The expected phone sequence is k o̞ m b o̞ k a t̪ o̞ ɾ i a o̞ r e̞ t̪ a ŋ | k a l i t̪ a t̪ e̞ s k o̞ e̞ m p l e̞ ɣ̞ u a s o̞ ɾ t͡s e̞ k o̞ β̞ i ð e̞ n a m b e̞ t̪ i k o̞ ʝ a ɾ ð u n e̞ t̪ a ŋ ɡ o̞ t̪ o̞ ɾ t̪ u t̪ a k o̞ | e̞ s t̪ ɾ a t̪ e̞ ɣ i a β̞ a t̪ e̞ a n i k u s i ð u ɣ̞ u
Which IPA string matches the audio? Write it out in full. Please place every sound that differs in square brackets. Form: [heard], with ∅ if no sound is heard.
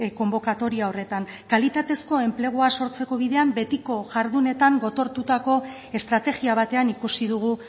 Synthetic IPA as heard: k o̞ m b o̞ k a t̪ o̞ ɾ i a o̞ r e̞ t̪ a ŋ | k a l i t̪ a t̪ e̞ s k o̞ e̞ m p l e̞ ɣ̞ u a s o̞ ɾ t͡s e̞ k o̞ β̞ i ð e̞ [∅] a m b e̞ t̪ i k o̞ ʝ a ɾ ð u n e̞ t̪ a ŋ ɡ o̞ t̪ o̞ ɾ t̪ u t̪ a k o̞ | e̞ s t̪ ɾ a t̪ e̞ ɣ i a β̞ a t̪ e̞ a n i k u s i ð u ɣ̞ u